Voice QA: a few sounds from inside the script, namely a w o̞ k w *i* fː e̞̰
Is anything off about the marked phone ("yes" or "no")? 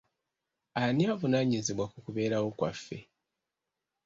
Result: yes